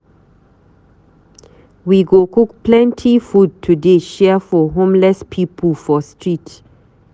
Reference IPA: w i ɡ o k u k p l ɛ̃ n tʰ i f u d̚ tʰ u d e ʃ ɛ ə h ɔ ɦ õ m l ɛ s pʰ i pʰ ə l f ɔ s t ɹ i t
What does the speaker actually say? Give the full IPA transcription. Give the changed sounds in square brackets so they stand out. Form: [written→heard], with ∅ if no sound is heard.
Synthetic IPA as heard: w i ɡ o k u k p l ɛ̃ n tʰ i f u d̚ tʰ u d e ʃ ɛ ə [h→f] ɔ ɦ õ m l ɛ s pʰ i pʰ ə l f ɔ s t ɹ i t